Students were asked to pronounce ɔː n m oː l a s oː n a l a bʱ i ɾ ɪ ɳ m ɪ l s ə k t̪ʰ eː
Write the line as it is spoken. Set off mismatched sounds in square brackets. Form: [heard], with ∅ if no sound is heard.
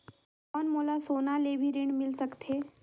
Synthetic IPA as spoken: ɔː n m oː l a s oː n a l [e] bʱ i ɾ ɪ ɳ m ɪ l s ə k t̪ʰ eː

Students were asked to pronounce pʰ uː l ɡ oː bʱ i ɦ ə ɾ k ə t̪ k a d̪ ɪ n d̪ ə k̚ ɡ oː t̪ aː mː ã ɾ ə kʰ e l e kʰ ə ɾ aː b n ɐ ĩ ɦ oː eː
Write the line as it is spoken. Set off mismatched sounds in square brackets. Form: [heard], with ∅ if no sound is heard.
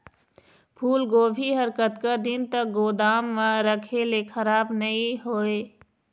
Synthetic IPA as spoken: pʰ uː l ɡ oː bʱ i ɦ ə ɾ k ə t̪ k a d̪ ɪ n [t̪] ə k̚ ɡ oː [d̪] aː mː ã ɾ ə kʰ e l e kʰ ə ɾ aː b n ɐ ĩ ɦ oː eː

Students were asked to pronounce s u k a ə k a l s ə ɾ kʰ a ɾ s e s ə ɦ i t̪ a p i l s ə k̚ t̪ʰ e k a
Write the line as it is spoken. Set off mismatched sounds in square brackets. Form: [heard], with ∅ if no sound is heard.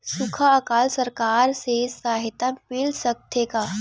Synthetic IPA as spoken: s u [kʰ] a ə k a l s ə ɾ [k] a ɾ s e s [a] ɦ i t̪ a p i l s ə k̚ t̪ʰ e k a

